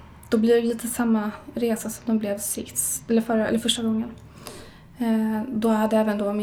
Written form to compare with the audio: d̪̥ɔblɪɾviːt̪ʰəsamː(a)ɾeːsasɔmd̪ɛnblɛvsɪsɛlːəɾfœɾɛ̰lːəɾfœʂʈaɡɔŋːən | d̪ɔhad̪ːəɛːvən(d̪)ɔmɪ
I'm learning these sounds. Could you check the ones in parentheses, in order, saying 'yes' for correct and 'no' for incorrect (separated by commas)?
yes, yes